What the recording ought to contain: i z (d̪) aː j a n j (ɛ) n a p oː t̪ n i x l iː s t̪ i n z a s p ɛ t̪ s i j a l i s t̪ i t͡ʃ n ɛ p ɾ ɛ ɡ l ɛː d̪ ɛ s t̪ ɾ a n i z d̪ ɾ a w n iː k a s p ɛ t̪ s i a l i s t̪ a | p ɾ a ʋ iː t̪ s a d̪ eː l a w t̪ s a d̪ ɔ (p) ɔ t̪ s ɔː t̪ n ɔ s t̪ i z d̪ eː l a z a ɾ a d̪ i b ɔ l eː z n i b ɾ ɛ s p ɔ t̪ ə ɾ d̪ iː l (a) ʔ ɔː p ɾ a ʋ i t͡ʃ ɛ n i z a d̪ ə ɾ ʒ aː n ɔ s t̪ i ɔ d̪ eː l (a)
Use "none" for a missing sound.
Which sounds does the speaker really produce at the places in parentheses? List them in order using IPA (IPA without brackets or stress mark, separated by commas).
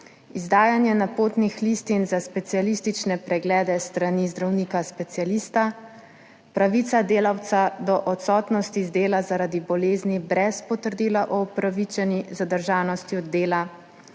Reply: d̪, ɛ, ʔ, a, a